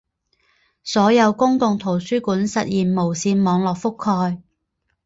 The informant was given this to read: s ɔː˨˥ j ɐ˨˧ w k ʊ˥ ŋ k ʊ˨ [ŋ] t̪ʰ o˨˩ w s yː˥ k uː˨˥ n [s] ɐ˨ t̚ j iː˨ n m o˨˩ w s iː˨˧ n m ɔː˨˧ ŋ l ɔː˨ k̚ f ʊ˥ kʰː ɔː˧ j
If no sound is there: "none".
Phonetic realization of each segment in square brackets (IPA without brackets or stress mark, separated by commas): ŋ, s